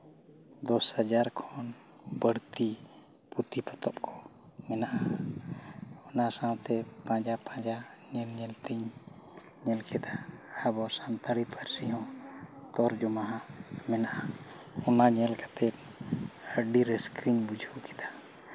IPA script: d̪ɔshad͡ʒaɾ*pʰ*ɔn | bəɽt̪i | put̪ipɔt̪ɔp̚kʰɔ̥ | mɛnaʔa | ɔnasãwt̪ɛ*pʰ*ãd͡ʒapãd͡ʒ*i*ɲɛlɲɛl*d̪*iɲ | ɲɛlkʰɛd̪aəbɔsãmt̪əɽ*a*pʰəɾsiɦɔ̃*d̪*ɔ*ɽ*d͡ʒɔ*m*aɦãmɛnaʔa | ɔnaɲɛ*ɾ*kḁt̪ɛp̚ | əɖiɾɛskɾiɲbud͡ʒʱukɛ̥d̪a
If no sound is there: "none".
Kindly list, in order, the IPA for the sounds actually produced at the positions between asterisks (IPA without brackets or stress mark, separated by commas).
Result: kʰ, p, a, t̪, i, t̪, ɾ, m, l